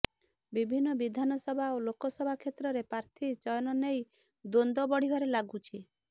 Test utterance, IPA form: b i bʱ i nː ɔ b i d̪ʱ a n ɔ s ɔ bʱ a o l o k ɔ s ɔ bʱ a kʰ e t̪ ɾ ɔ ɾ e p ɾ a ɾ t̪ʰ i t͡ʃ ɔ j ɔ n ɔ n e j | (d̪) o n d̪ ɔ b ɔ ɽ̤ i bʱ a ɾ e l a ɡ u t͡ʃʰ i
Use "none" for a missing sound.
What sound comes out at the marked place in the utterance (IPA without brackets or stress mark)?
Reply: d̪